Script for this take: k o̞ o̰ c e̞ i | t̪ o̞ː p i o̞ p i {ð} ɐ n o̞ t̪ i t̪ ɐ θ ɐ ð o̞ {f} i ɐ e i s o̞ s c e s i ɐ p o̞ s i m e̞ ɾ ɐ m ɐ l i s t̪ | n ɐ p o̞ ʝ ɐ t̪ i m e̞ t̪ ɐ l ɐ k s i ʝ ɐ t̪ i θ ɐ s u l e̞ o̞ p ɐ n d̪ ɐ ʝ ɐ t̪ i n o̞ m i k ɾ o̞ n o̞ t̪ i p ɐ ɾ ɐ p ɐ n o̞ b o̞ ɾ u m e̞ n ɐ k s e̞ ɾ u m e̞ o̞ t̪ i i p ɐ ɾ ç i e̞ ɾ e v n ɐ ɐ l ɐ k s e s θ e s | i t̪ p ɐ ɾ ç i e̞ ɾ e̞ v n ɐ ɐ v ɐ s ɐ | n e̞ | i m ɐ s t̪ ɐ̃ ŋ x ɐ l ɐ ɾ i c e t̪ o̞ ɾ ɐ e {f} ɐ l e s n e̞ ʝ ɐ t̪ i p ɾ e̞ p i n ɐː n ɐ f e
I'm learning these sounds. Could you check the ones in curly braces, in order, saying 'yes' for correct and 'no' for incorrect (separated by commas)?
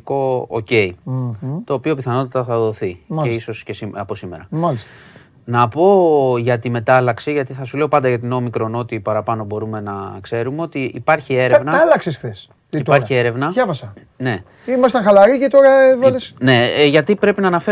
no, no, no